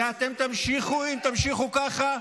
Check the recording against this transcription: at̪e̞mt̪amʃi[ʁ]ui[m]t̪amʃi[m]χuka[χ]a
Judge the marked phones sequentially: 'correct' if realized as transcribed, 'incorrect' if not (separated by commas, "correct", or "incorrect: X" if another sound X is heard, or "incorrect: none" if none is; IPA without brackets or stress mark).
incorrect: χ, correct, incorrect: none, correct